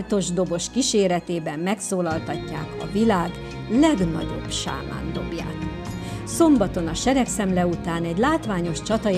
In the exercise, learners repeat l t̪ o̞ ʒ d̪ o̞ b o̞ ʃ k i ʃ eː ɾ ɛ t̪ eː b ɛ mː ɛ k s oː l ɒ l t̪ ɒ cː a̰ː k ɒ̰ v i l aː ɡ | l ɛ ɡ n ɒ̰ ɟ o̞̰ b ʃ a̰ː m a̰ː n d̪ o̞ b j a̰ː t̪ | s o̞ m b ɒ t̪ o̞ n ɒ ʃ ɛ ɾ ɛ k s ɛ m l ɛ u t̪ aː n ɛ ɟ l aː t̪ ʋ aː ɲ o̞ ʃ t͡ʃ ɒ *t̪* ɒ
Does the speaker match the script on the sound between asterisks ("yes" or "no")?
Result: yes